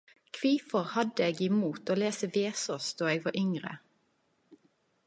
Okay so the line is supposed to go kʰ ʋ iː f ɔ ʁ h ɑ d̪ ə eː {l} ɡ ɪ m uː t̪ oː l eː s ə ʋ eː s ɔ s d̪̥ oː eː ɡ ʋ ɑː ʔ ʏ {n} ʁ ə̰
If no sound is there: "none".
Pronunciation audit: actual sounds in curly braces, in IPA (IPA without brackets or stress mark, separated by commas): none, ŋ